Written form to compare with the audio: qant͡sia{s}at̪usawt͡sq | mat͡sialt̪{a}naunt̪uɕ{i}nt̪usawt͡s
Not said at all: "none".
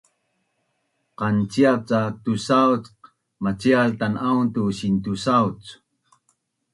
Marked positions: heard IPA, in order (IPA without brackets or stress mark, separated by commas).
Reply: t͡s, a, i